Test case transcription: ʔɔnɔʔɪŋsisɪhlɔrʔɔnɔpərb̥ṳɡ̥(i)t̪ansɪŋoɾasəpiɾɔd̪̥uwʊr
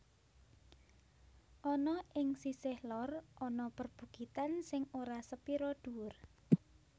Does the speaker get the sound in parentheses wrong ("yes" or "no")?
no